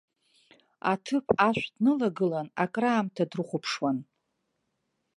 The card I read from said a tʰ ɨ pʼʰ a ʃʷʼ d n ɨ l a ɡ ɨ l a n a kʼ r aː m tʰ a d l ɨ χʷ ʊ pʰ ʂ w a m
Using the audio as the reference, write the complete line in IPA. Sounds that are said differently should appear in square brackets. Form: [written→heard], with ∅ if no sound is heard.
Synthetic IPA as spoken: a tʰ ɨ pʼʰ a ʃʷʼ d n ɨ l a ɡ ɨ l a n a kʼ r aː m tʰ a d [l→r] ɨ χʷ ʊ pʰ ʂ w a [m→n]